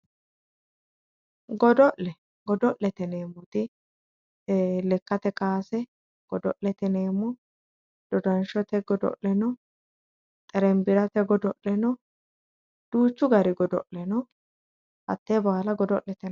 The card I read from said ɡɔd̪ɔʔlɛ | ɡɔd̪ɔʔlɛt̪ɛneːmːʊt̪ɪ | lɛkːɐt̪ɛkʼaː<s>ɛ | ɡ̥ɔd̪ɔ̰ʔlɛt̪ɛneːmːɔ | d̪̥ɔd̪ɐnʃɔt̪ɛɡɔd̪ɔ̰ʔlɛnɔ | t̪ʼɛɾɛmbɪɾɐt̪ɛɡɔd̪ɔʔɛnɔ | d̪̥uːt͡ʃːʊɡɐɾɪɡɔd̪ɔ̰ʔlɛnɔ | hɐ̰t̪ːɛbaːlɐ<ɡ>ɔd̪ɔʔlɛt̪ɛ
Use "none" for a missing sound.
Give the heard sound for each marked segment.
s, ɡ

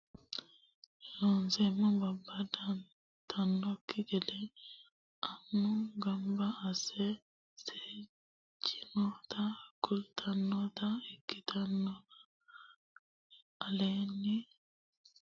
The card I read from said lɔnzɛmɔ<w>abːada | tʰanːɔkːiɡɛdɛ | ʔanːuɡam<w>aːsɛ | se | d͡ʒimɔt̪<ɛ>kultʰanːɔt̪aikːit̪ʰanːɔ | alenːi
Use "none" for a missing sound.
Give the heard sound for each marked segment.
b, b, a

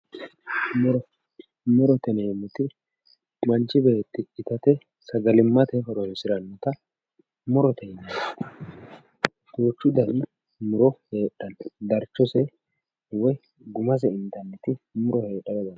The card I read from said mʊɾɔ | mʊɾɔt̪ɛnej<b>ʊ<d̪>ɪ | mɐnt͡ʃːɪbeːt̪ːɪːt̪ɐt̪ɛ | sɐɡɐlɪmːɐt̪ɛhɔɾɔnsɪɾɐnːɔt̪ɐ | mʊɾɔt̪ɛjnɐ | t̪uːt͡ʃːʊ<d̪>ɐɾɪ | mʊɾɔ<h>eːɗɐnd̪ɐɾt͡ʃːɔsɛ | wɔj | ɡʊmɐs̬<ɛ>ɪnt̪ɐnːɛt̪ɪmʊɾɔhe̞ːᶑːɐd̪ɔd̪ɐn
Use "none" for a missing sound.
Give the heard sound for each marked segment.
m, t̪, d̪, h, ɛ

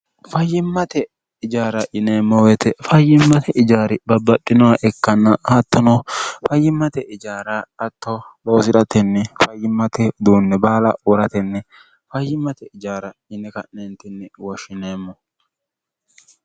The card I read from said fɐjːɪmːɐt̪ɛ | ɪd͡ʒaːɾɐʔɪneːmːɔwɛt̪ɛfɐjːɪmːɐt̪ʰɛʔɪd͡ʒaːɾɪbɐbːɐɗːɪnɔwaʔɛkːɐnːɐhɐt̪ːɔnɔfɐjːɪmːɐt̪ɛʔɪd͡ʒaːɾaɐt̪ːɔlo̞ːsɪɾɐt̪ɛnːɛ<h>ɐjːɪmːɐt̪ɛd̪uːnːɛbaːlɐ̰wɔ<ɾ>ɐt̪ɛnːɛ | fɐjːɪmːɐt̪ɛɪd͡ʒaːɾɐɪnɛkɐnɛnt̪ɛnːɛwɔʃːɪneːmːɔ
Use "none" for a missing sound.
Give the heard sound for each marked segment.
f, ɾ

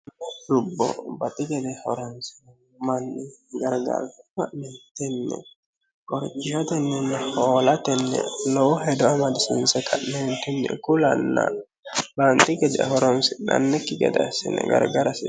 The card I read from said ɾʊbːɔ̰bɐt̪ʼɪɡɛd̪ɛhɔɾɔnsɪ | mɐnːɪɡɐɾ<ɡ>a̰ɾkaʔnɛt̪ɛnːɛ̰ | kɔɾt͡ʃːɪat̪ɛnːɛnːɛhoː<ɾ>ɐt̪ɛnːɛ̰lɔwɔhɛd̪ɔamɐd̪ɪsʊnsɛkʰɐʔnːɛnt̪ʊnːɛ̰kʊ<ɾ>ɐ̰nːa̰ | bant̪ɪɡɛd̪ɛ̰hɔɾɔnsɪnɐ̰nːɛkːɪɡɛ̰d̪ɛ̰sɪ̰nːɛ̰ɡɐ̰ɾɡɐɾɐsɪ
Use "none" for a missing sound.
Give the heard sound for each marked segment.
ɡ, l, l

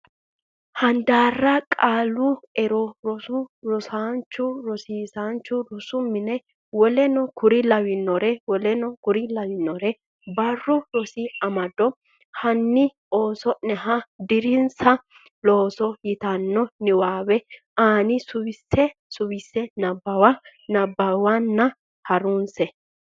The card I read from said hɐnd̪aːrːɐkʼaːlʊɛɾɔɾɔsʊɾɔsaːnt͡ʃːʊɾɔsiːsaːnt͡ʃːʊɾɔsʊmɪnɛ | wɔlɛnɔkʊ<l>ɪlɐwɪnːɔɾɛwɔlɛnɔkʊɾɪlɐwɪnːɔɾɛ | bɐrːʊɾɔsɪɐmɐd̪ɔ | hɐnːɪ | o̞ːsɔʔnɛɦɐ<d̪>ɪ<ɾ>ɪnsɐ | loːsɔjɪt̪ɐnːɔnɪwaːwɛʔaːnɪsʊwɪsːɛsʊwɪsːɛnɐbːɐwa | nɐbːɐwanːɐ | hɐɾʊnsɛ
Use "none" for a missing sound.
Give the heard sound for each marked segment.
ɾ, d̪, ɾ

